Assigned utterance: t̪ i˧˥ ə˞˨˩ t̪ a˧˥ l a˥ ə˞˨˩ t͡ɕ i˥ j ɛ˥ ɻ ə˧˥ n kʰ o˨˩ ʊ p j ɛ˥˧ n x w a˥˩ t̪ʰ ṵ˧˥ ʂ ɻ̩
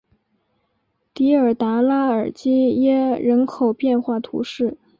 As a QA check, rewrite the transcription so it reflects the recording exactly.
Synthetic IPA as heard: t̪ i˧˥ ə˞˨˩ t̪ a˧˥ l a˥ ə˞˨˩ t͡ɕ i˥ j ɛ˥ ɻ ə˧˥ n kʰ o˨˩ ʊ p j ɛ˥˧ n x w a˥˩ t̪ʰ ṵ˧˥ ʂ ɻ̩